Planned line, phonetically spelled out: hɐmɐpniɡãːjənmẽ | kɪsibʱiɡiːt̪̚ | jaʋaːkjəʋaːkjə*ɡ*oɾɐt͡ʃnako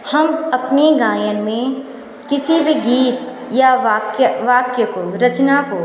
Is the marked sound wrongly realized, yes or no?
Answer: yes